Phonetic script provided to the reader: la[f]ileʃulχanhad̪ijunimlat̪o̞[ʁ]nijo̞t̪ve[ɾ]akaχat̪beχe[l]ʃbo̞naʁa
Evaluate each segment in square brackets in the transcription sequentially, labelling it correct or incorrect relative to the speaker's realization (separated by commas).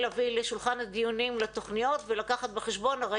incorrect, incorrect, incorrect, incorrect